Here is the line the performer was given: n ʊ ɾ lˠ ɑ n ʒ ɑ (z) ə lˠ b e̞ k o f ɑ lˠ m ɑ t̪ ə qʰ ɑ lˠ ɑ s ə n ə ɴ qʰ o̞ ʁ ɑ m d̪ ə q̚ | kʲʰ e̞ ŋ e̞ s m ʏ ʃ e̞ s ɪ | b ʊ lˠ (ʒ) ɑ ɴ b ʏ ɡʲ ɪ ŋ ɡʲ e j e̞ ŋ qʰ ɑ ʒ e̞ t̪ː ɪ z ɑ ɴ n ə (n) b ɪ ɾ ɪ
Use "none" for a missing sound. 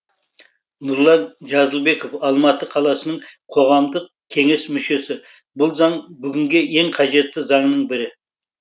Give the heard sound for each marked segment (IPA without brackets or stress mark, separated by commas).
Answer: z, z, ɴ